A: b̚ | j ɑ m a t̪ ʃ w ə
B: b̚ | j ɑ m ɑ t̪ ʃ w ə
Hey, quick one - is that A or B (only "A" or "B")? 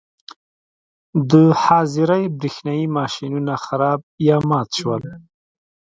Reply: B